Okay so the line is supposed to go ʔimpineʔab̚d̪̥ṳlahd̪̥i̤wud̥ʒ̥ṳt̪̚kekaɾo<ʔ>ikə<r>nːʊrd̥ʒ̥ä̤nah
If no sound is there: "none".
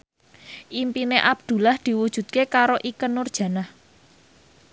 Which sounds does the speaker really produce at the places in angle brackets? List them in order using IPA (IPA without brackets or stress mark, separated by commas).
ʔ, none